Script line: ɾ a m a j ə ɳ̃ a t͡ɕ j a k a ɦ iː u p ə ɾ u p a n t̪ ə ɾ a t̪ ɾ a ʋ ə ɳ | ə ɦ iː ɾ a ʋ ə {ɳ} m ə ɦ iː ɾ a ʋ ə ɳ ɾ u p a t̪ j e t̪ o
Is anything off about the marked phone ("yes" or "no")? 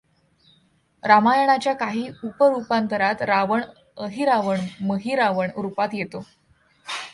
no